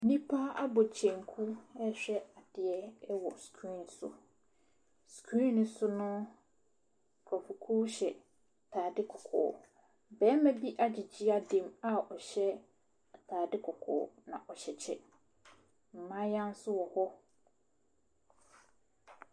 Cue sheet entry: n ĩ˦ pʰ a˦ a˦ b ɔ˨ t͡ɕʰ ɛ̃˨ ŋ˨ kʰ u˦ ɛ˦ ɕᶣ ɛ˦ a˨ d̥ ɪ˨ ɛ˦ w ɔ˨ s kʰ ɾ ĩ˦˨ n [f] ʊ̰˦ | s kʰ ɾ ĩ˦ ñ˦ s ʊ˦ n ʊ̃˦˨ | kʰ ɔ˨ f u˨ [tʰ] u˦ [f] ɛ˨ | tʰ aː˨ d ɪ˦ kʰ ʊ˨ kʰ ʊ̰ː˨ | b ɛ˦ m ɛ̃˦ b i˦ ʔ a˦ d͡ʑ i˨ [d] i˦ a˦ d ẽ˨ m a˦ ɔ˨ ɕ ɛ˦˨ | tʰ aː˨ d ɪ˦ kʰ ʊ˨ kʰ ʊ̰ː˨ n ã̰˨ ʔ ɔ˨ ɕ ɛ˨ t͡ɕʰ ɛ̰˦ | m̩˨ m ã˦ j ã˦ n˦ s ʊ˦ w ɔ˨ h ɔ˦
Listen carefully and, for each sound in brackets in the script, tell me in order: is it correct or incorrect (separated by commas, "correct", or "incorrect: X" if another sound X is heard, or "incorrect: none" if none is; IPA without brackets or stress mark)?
incorrect: s, incorrect: kʰ, incorrect: ɕ, incorrect: d͡ʑ